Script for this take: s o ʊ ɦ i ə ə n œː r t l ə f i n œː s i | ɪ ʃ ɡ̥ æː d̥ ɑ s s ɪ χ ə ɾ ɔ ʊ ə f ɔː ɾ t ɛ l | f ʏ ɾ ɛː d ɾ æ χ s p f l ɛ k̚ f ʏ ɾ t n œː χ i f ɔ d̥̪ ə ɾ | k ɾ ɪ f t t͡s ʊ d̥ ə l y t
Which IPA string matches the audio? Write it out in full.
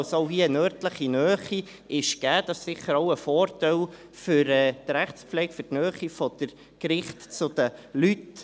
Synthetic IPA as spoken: s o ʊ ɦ i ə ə n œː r t l ə χ i n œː χ i | ɪ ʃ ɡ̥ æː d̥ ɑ s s ɪ χ ə ɾ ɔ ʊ ə f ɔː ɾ t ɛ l | f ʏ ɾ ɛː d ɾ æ χ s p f l ɛ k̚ f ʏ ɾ t n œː χ i f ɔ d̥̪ ə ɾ | k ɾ ɪ χ t t͡s ʊ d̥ ə l y t